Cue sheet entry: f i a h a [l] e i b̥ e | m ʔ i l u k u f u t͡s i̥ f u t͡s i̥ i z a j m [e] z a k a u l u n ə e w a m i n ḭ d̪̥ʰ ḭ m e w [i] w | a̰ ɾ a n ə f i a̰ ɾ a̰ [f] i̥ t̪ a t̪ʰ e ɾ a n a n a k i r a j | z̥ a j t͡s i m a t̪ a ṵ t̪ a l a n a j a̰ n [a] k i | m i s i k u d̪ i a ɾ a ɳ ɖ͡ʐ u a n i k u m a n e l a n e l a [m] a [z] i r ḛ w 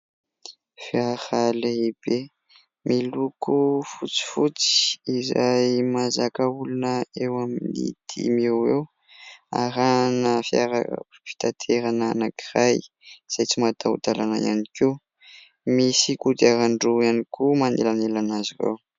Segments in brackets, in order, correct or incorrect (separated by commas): correct, incorrect, incorrect, correct, incorrect, incorrect, correct